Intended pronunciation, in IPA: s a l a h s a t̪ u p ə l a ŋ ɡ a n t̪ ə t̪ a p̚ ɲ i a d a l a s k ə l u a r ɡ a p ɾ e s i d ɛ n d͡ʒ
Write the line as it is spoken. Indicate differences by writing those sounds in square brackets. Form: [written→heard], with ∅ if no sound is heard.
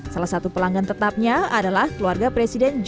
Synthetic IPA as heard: s a l a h s a t̪ u p ə l a ŋ ɡ a n t̪ ə t̪ a p̚ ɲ [i→a] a d a l a [s→h] k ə l u a r ɡ a p ɾ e s i d ɛ n d͡ʒ